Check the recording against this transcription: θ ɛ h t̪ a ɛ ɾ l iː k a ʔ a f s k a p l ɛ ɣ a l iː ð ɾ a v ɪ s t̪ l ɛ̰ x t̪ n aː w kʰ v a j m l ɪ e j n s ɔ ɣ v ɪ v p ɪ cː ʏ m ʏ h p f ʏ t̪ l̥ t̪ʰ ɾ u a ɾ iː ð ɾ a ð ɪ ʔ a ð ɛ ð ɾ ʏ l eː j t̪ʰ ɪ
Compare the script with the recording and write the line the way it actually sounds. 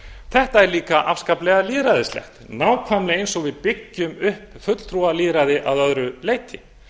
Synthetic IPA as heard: θ ɛ h t̪ a ɛ ɾ l iː k a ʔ a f s k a p l ɛ ɣ a l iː ð ɾ a ð ɪ s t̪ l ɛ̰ x t̪ n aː w kʰ v a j m l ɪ e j n s ɔ ɣ v ɪ ð p ɪ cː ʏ m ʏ h p f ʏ t̪ l̥ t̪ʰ ɾ u a l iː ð ɾ a ð ɪ ʔ a ð œ ð ɾ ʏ l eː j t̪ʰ ɪ

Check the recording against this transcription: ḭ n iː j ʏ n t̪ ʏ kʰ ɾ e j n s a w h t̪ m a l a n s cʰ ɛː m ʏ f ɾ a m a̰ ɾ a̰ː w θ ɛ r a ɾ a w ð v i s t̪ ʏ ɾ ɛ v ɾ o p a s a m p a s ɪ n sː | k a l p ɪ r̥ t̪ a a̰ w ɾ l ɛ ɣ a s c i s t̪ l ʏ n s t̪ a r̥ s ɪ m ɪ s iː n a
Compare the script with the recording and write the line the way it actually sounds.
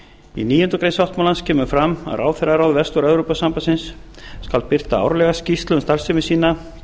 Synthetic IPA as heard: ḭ n iː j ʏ n t̪ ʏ k ɾ e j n s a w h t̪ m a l a n s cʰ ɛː m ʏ f ɾ a m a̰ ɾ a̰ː w θ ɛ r a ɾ a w ð v ɛ s t̪ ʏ ɾ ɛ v ɾ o p a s a m p a s ɪ n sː | k a l p ɪ r̥ t̪ a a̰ w ɾ l ɛ ɣ a s c i s t̪ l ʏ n s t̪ a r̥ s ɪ m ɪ s iː n a

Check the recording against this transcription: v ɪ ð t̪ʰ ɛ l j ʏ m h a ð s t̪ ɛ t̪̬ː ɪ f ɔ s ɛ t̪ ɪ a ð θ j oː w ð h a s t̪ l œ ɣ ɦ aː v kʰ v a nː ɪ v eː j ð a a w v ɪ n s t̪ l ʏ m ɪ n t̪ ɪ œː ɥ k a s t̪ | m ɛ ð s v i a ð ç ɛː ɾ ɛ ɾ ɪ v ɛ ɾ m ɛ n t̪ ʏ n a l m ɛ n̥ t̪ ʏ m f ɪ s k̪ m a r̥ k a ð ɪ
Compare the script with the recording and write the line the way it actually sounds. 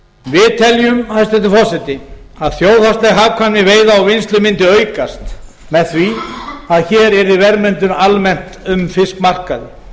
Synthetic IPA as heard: v ɪ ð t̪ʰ ɛ l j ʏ m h a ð s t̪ ɛ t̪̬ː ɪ f ɔ s ɛ t̪ ɪ a ð θ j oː w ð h a s t̪ l ɛ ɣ ɦ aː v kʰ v a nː ɪ v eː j ð a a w v ɪ n s t̪ l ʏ m ɪ n t̪ ɪ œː ɥ k a s t̪ | m ɛ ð θ v i a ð ç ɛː ɾ ɛ ɾ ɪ v ɛ ɾ m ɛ n t̪ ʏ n a l m ɛ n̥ t̪ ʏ m f ɪ s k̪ m a r̥ k a ð ɪ

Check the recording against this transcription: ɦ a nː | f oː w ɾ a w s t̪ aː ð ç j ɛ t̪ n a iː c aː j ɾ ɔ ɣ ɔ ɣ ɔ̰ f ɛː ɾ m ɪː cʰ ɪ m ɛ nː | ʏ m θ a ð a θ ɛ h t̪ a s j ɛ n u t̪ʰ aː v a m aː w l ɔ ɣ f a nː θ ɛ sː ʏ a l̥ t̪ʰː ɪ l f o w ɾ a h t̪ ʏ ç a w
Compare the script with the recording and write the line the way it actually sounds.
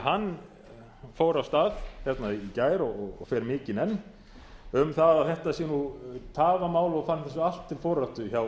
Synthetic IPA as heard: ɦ a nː | f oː w ɾ a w s t̪ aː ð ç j ɛ t̪ n a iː c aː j ɾ ɔ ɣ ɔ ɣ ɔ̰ f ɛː ɾ m ɪː c ɪ n ɛ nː | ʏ m θ a ð a θ ɛ h t̪ a s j ɛ n u t̪ʰ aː v a m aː w l ɔ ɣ f a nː θ ɛ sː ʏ a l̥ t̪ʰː ɪ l f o w ɾ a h t̪ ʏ ç a w

